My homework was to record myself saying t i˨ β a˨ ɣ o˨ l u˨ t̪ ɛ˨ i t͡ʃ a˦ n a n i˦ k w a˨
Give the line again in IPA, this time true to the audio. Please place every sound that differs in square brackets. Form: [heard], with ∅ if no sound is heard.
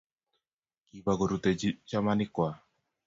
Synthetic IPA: [k] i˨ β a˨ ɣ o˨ [ɾ] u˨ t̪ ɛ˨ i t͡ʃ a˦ [m] a n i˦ k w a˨